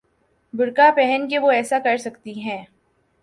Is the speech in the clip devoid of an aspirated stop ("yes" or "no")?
yes